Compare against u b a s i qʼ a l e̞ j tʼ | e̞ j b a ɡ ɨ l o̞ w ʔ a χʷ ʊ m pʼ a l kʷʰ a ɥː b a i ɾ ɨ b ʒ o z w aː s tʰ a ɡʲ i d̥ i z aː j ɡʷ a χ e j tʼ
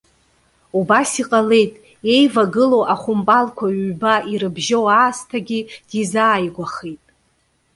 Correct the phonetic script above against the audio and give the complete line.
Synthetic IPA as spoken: u b a s i qʼ a l e̞ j tʼ | e̞ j v a ɡ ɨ l o̞ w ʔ a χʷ ʊ m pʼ a l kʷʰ a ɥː b a i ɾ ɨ b ʒ o w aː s tʰ a ɡʲ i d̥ i z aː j ɡʷ a χ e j tʼ